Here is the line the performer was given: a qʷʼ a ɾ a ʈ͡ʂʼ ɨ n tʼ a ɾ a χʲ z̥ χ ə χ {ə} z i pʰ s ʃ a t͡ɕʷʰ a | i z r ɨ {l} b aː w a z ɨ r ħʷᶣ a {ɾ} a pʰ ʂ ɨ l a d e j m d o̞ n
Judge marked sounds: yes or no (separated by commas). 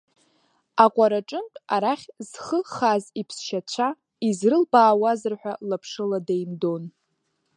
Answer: no, yes, no